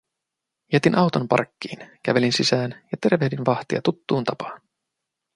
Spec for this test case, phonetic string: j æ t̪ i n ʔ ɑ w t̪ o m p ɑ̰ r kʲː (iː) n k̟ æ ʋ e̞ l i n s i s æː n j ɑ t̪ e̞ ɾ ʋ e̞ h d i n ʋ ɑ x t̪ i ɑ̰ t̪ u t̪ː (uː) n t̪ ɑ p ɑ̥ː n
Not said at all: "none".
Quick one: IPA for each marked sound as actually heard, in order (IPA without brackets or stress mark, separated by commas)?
iː, uː